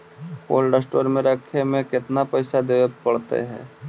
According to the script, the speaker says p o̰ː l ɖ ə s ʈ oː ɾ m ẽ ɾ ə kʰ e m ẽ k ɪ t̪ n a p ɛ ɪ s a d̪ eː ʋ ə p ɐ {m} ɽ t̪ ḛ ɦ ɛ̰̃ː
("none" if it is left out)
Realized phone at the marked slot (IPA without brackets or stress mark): none